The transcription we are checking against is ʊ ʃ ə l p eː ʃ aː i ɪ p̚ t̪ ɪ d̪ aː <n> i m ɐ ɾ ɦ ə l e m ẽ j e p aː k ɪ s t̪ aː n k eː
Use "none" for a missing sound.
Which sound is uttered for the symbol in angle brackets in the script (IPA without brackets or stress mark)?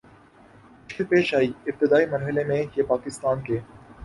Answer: none